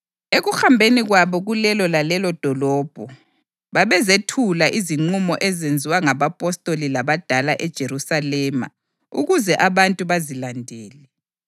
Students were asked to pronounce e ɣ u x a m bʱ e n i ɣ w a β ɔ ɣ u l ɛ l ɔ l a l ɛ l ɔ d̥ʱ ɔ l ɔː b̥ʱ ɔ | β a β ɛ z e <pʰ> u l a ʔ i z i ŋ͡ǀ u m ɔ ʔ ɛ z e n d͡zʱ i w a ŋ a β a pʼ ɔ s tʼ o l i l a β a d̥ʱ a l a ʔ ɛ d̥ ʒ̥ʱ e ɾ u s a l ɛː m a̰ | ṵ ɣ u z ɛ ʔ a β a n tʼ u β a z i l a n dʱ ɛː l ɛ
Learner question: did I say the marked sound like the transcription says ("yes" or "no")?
no